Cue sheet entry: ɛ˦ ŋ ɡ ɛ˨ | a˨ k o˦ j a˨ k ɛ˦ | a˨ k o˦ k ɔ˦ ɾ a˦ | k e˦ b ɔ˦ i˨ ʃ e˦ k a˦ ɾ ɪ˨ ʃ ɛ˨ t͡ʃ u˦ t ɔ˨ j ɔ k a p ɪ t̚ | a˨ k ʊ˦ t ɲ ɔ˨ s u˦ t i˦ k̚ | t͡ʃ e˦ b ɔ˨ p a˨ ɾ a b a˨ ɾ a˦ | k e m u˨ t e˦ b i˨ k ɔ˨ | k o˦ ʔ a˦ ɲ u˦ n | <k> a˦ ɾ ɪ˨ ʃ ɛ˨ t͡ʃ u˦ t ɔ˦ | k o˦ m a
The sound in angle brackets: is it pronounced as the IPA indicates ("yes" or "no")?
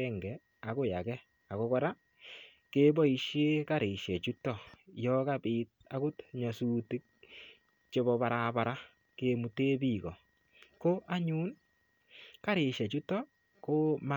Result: yes